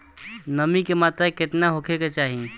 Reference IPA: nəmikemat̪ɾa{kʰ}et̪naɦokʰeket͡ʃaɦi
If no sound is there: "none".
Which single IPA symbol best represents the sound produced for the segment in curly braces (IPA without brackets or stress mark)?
k